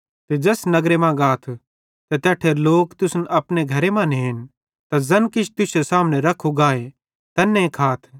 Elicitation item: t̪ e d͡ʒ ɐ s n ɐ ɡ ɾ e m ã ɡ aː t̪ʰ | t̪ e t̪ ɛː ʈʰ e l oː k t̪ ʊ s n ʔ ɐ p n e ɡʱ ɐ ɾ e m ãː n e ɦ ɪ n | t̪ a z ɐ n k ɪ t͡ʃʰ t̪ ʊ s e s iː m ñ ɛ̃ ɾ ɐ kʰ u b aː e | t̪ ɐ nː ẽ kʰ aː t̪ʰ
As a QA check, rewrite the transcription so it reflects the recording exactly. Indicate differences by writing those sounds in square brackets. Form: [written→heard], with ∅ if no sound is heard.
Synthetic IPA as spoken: t̪ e d͡ʒ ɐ s n ɐ ɡ ɾ e m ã ɡ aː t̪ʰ | t̪ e t̪ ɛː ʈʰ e l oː k t̪ ʊ s n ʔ ɐ p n e ɡʱ ɐ ɾ e m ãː n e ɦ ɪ n | t̪ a z ɐ n k ɪ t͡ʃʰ t̪ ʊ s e s [iː→aː] m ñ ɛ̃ ɾ ɐ kʰ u [b→ɡ] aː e | t̪ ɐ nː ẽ kʰ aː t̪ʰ